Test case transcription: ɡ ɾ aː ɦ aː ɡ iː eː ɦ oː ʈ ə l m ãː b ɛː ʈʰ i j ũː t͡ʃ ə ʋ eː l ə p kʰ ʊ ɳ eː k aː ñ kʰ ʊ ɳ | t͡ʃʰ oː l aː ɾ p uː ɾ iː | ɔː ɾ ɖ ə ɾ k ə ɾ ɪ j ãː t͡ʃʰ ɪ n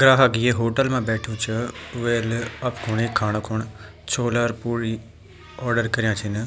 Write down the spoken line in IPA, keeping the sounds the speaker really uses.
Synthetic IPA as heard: ɡ ɾ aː ɦ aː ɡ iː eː ɦ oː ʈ ə l m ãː b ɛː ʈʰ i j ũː t͡ʃ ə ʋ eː l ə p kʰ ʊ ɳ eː kʰ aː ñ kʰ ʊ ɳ | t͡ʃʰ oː l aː ɾ p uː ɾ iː | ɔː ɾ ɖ ə ɾ k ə ɾ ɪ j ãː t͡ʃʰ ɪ n